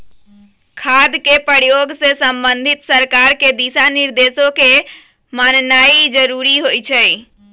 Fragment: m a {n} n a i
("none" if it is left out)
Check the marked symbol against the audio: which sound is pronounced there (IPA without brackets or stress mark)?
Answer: n